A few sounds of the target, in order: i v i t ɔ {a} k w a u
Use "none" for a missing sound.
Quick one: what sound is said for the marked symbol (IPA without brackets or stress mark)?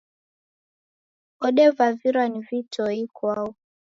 i